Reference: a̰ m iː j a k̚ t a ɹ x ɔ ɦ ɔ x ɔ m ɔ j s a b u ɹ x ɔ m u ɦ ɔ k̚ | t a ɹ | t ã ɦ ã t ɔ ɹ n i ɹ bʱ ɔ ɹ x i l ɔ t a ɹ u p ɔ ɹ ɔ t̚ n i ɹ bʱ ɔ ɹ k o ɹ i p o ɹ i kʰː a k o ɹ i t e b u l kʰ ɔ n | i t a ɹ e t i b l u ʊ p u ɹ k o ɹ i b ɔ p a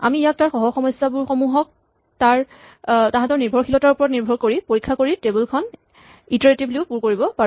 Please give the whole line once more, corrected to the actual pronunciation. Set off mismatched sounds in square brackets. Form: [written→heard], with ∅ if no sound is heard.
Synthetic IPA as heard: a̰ m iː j a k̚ t a ɹ x ɔ ɦ ɔ x ɔ m ɔ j s a b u ɹ x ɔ m u ɦ ɔ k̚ | t a ɹ | t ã ɦ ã t ɔ ɹ n i ɹ bʱ ɔ ɹ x i l ɔ t a ɹ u p ɔ ɹ ɔ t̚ n i ɹ bʱ ɔ ɹ k o ɹ i p o ɹ i kʰː a k o ɹ i t e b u l kʰ ɔ n | i t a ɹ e t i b l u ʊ p u ɹ k o ɹ i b ɔ p a